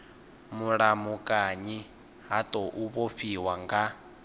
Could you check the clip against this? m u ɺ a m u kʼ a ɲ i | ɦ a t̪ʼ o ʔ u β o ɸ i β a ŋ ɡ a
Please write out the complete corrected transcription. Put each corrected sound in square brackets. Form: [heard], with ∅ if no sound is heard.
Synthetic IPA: m u ɺ a m u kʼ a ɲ i | ɦ a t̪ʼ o ʔ u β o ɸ i [w] a ŋ ɡ a